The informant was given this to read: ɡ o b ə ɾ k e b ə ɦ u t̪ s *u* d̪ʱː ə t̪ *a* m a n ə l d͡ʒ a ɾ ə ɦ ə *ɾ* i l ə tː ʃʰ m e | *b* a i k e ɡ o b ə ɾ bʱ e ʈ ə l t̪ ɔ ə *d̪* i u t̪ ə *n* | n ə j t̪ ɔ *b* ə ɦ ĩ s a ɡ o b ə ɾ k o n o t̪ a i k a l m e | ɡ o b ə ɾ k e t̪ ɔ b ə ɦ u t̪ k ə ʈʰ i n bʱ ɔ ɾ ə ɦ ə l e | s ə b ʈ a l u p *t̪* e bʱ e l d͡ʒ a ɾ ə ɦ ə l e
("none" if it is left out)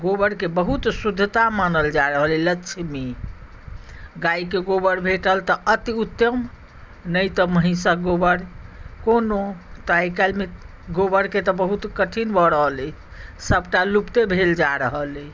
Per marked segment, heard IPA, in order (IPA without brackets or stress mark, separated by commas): u, a, l, ɡ, t̪, m, m, t̪